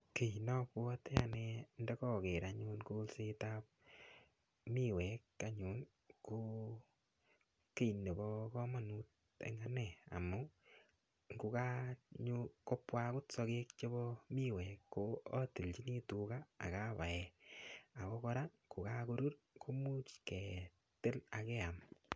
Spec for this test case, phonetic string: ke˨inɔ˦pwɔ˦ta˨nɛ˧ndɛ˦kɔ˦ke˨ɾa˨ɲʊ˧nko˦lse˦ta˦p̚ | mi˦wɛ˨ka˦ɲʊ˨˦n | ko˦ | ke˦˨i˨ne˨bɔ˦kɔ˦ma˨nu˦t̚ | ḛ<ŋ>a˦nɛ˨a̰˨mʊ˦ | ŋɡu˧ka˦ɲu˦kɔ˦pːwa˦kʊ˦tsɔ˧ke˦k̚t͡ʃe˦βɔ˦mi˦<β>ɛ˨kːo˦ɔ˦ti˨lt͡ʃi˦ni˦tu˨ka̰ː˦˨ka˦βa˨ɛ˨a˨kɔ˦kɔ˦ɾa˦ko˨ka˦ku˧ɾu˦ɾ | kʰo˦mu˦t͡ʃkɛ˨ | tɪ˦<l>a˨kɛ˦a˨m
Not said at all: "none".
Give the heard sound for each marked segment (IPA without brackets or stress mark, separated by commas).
ŋ, w, l